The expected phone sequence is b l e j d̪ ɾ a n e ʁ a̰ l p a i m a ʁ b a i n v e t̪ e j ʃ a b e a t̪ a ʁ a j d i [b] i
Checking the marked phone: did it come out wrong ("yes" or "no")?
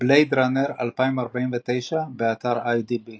no